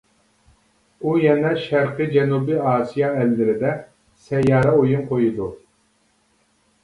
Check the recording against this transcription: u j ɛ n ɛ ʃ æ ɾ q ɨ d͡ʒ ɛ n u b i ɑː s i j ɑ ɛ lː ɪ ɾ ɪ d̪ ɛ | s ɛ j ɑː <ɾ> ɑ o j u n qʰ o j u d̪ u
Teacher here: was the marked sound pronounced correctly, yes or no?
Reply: yes